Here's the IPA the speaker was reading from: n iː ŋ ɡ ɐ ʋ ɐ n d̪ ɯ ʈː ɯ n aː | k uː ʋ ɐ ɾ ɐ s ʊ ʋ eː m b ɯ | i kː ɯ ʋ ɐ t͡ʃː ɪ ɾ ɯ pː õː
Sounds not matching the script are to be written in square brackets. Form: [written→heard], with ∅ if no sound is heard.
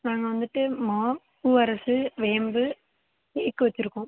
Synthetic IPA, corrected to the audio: n [iː→aː] ŋ ɡ ɐ ʋ ɐ n d̪ ɯ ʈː ɯ [n→m] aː | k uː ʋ ɐ ɾ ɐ s [ʊ→ɯ] ʋ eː m b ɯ | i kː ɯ ʋ ɐ t͡ʃː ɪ ɾ ɯ [pː→kː] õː